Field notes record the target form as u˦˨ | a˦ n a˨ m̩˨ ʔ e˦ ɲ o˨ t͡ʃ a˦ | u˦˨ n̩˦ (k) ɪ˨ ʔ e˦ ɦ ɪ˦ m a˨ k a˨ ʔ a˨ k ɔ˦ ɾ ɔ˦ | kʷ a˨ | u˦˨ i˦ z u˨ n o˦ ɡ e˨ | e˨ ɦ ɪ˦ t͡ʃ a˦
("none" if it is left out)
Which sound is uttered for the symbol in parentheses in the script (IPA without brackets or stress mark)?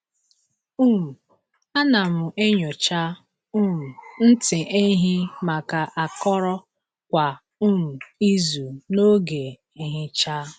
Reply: t